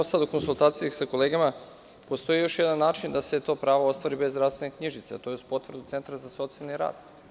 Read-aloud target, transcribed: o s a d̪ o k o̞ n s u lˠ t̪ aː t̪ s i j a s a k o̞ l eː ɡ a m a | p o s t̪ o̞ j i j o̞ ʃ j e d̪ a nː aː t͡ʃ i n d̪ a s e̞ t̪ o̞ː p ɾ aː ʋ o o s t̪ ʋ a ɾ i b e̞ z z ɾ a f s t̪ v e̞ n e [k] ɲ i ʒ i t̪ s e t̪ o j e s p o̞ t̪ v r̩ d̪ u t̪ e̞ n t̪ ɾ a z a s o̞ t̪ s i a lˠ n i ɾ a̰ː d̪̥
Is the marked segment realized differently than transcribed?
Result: no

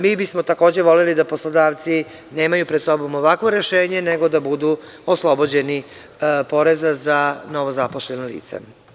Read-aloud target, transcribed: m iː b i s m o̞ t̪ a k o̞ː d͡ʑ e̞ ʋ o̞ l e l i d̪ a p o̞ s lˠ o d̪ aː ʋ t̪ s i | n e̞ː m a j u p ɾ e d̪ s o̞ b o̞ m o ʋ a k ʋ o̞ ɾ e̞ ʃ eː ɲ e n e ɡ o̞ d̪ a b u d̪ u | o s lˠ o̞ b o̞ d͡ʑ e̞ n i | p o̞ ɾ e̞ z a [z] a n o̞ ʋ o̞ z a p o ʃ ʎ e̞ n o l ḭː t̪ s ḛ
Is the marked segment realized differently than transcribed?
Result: no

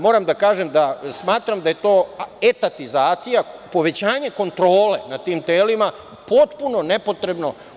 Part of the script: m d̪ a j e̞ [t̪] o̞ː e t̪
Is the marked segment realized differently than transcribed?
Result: no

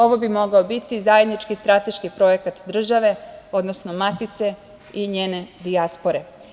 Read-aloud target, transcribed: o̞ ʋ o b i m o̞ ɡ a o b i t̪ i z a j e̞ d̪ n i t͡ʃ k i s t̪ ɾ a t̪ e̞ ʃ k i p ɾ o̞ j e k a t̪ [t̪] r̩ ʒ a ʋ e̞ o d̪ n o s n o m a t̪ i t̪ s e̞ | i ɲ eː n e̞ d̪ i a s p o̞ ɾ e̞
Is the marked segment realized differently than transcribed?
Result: yes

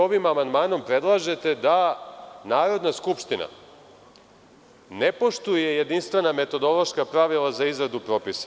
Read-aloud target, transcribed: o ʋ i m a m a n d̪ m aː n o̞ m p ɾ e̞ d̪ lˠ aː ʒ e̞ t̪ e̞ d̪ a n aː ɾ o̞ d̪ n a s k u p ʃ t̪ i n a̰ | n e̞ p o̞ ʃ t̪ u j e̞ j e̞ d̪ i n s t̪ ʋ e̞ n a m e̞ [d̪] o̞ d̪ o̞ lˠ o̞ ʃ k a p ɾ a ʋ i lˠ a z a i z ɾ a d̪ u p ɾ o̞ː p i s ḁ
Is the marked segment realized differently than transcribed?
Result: yes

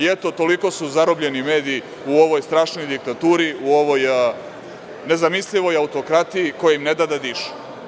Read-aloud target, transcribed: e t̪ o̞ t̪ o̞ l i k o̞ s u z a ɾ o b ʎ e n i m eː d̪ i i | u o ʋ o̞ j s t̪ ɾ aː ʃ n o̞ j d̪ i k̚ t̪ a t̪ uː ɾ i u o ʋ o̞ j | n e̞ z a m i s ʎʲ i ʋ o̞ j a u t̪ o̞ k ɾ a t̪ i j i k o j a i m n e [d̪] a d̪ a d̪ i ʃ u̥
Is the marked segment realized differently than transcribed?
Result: no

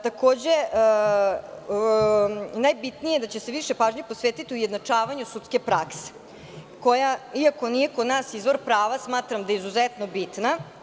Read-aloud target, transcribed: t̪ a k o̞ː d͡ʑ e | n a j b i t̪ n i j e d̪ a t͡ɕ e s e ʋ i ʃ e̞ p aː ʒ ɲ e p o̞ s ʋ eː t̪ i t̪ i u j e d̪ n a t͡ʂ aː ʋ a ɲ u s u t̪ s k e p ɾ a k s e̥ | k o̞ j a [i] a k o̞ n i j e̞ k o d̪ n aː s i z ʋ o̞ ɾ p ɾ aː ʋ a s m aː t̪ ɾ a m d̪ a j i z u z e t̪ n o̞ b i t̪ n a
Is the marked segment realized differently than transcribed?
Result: no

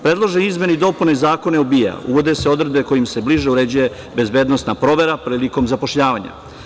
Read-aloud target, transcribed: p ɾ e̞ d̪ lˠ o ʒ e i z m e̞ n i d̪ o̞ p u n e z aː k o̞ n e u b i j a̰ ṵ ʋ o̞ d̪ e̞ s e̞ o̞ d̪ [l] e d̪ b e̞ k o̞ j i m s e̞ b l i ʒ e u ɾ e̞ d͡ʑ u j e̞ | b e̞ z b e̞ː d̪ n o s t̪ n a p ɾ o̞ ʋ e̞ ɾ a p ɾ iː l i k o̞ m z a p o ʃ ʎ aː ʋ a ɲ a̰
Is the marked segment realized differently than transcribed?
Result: yes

